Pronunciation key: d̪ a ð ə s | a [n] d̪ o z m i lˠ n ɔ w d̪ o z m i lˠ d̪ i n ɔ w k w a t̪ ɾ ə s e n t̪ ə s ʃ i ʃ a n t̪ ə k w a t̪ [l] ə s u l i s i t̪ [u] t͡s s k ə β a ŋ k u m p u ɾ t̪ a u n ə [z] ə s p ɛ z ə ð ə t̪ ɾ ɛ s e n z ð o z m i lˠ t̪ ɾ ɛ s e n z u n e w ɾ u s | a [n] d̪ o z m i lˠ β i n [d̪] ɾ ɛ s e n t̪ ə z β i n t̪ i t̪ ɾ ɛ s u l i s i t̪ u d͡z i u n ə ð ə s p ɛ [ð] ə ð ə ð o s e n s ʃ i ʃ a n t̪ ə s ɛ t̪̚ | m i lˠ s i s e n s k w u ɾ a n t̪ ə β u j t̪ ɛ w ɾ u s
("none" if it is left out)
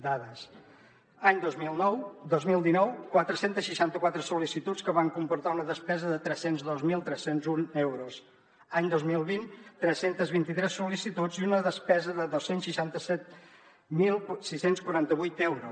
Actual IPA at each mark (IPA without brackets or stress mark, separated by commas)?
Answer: ɲ, ɾ, u, ð, ɲ, t̪, z